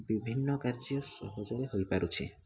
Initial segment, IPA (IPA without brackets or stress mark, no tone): b